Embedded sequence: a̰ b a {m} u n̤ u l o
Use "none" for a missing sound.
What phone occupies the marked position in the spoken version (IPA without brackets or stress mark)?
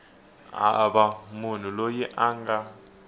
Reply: m